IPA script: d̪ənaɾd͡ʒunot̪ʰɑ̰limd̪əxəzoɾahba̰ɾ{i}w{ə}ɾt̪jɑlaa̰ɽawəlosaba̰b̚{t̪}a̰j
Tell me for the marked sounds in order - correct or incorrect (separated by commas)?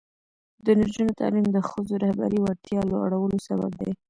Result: correct, incorrect, incorrect